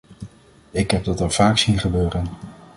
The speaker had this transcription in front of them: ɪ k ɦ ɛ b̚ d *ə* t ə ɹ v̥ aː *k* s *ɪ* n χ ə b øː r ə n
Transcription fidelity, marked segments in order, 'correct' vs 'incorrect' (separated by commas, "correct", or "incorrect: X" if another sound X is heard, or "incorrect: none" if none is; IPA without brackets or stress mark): incorrect: ɑ, correct, incorrect: i